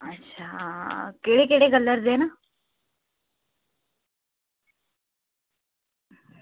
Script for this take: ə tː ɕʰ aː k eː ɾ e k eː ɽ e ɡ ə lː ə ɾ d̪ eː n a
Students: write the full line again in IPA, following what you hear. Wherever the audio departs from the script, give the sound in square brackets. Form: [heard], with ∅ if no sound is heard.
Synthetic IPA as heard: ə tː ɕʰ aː k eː [ɽ] e k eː ɽ e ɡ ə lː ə ɾ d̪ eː n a